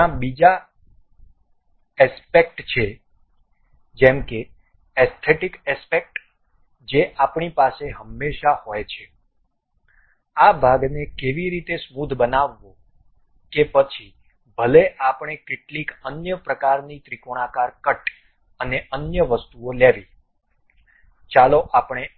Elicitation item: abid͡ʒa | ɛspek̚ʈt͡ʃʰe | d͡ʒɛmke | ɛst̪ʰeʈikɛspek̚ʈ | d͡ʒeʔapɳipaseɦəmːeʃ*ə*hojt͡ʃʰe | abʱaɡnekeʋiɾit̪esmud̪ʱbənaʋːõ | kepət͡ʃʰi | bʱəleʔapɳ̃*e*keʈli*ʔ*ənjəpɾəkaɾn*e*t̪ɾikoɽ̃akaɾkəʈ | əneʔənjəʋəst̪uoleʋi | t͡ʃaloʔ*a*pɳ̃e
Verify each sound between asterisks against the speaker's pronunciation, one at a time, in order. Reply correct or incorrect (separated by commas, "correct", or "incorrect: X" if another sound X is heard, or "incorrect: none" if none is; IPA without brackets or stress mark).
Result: incorrect: a, correct, incorrect: k, incorrect: i, correct